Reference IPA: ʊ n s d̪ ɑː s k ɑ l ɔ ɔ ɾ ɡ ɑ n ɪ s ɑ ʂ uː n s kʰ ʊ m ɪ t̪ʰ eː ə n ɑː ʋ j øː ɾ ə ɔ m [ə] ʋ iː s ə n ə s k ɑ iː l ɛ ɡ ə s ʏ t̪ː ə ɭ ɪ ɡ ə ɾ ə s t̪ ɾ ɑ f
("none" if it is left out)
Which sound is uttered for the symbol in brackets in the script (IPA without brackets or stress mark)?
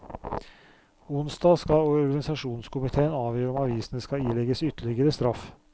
ɑ